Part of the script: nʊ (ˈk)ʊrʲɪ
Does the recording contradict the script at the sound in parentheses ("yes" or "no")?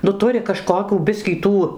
yes